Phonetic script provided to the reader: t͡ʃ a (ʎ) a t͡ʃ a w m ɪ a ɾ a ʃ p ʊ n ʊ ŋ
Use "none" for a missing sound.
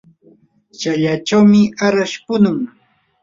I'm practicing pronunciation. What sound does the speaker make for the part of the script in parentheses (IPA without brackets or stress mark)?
ʎ